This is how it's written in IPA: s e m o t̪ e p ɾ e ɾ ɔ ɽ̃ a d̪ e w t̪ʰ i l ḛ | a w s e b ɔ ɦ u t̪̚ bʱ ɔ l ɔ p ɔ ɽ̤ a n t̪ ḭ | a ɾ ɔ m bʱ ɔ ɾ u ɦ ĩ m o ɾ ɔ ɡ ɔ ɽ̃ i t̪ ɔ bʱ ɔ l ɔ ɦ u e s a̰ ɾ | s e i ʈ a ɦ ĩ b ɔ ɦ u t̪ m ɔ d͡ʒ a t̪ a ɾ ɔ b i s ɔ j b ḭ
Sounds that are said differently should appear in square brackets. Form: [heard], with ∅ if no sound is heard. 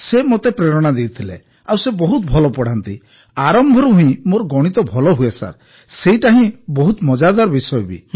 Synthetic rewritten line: s e m o t̪ e p ɾ e ɾ ɔ ɽ̃ a d̪ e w t̪ʰ i l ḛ | a w s e b ɔ ɦ u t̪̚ bʱ ɔ l ɔ p ɔ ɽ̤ a n t̪ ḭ | a ɾ ɔ m bʱ ɔ ɾ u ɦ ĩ m o ɾ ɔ ɡ ɔ ɽ̃ i t̪ ɔ bʱ ɔ l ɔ ɦ u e s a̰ ɾ | s e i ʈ a ɦ ĩ b ɔ ɦ u t̪ m ɔ d͡ʒ a [d̪] a ɾ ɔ b i s ɔ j b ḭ

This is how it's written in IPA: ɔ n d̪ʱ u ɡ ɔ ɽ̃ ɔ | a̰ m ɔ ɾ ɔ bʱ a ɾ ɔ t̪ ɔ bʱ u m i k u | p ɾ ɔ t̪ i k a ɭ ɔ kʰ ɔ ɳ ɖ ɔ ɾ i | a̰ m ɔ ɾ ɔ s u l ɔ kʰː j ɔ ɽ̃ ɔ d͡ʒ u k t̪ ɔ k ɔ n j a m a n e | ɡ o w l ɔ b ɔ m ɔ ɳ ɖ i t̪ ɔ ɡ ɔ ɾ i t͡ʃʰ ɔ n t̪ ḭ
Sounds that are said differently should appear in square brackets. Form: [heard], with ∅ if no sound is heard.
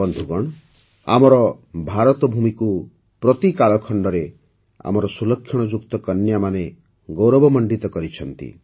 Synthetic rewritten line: ɔ n d̪ʱ u ɡ ɔ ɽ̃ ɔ | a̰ m ɔ ɾ ɔ bʱ a ɾ ɔ t̪ ɔ bʱ u m i k u | p ɾ ɔ t̪ i k a ɭ ɔ kʰ ɔ ɳ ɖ ɔ ɾ [e] | a̰ m ɔ ɾ ɔ s u l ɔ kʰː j ɔ ɽ̃ ɔ d͡ʒ u k t̪ ɔ k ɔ n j a m a n e | ɡ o w [ɾ] ɔ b ɔ m ɔ ɳ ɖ i t̪ ɔ [k] ɔ ɾ i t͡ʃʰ ɔ n t̪ ḭ

